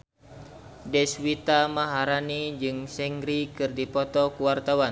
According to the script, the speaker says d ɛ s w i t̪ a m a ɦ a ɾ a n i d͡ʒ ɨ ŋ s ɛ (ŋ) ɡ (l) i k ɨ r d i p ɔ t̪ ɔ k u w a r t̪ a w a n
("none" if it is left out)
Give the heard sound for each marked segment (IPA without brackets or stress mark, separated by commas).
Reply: ŋ, ɾ